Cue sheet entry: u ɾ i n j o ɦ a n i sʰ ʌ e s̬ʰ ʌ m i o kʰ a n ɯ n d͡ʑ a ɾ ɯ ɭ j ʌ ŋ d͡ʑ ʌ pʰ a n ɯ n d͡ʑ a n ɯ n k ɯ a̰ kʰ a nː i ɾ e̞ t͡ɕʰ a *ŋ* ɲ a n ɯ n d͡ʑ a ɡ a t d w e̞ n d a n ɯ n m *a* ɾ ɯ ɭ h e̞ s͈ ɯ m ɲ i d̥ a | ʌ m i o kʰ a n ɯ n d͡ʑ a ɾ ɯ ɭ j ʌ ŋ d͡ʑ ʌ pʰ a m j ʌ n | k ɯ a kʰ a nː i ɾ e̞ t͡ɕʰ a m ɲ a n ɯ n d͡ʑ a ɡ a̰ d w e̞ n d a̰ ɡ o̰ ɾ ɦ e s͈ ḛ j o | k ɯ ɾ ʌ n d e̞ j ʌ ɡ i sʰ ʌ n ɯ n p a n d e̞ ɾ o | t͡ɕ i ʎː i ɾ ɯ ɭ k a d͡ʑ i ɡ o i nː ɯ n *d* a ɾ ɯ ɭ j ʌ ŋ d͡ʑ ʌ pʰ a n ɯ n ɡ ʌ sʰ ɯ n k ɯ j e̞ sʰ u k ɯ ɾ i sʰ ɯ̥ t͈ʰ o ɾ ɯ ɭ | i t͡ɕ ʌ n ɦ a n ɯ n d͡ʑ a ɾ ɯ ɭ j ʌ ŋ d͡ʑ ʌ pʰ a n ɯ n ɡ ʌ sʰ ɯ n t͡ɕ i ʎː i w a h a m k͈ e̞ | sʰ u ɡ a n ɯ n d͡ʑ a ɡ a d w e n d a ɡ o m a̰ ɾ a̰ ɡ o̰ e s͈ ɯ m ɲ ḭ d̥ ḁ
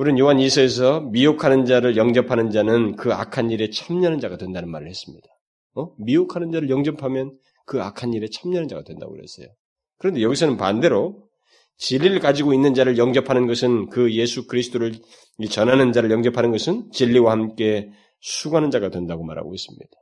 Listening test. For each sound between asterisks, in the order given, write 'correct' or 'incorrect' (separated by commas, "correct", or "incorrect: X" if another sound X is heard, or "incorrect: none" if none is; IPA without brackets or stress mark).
incorrect: m, correct, incorrect: d͡ʑ